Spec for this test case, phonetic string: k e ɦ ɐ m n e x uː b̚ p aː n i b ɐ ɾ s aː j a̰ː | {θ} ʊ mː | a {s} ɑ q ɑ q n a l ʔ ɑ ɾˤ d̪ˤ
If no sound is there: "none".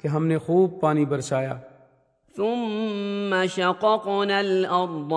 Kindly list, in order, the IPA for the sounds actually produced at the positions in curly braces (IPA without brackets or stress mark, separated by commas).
θ, ʃ